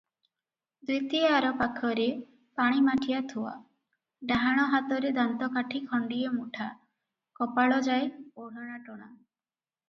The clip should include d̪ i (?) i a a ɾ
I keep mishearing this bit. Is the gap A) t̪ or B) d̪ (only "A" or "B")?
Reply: A